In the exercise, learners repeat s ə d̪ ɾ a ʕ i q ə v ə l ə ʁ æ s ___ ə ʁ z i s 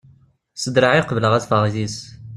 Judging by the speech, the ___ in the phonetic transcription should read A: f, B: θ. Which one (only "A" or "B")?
A